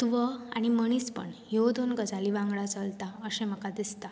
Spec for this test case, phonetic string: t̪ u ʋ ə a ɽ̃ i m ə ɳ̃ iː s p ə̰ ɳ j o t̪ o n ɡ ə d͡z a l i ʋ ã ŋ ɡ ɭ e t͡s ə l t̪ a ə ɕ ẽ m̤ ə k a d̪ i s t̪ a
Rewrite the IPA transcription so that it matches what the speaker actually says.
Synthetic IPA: t̪ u ʋ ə a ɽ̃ i m ə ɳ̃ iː s p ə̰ ɳ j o d̪ o n ɡ ə d͡z a l i ʋ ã ŋ ɡ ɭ a t͡s ə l t̪ a ə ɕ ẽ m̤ ə k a d̪ i s t̪ a